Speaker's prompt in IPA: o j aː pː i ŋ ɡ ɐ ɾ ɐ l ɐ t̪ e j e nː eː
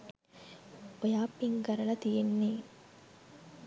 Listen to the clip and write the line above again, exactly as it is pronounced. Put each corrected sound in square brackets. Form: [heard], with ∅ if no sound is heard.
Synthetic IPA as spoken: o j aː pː i ŋ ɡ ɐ ɾ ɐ l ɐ t̪ [i] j e nː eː